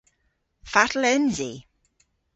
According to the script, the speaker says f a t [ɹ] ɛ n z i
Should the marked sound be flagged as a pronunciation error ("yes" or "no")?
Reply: yes